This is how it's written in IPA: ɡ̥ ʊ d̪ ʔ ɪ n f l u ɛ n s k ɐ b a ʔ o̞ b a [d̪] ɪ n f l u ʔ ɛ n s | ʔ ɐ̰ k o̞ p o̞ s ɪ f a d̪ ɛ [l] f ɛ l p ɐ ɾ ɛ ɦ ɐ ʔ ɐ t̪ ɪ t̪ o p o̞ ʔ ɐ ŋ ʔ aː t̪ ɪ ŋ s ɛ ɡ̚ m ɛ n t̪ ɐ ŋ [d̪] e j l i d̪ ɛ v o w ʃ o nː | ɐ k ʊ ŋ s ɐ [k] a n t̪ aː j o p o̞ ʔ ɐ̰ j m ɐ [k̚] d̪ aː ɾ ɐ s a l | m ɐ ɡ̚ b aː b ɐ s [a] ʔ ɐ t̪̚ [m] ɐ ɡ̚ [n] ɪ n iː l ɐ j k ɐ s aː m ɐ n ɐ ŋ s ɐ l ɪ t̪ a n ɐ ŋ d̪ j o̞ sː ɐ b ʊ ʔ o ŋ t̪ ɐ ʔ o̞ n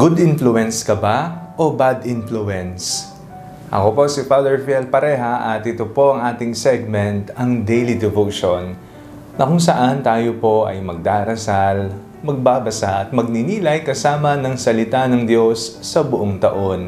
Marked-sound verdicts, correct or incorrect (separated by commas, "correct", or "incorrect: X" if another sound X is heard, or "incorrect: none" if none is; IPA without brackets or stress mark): correct, incorrect: ɹ, correct, incorrect: ʔ, incorrect: ɡ̚, correct, correct, correct